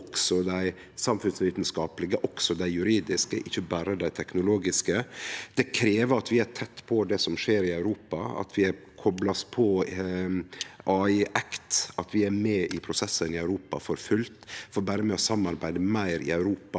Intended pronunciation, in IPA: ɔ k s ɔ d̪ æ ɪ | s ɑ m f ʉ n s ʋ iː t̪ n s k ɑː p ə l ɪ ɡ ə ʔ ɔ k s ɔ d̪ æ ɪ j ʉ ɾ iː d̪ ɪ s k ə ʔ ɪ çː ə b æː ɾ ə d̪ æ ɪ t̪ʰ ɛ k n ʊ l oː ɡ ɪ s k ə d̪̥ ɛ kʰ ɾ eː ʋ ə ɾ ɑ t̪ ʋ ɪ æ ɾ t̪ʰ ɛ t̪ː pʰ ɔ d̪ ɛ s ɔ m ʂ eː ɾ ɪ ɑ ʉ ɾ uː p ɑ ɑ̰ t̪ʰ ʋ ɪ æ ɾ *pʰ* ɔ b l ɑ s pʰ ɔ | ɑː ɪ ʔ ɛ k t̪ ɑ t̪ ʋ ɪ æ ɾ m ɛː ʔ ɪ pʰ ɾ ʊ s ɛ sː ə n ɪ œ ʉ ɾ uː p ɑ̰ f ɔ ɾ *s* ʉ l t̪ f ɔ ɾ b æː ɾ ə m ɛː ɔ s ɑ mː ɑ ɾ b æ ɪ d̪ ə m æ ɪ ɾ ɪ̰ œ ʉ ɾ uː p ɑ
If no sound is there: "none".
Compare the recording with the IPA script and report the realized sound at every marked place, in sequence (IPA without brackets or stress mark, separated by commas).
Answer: kʰ, f